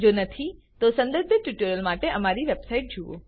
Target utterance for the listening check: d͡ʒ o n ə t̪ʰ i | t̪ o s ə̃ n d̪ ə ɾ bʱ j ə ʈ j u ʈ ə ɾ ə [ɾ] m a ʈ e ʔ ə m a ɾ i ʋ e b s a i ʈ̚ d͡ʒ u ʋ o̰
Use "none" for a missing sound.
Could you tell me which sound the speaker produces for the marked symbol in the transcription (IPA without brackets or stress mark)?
l